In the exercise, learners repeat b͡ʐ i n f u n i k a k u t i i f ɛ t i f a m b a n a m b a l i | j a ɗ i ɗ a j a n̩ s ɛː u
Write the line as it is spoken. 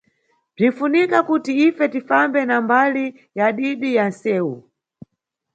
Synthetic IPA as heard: b͡ʐ i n f u n i k a k u t i i f ɛ t i f a m b ɛ n a m b a l i | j a ɗ i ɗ i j a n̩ s ɛː u